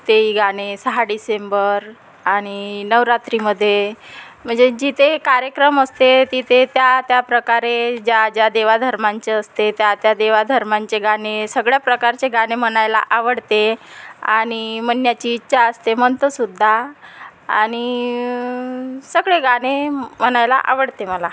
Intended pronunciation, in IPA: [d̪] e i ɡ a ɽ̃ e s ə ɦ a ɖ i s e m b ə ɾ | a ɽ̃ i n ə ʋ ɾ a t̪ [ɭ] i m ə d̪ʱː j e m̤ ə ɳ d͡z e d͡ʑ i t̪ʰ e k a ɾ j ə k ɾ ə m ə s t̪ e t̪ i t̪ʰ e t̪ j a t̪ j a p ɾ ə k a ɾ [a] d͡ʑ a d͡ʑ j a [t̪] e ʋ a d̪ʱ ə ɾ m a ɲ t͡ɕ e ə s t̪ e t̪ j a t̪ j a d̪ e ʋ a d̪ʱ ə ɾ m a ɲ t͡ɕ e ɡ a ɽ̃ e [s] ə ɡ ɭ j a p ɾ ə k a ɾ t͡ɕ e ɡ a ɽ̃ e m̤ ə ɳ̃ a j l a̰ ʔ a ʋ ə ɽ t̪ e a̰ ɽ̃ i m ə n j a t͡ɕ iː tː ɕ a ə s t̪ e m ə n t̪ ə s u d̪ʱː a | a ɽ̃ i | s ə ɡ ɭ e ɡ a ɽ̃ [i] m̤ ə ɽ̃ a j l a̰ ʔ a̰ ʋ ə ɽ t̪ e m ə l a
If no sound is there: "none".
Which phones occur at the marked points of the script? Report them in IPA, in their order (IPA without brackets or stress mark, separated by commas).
t̪, ɾ, e, d̪, s, e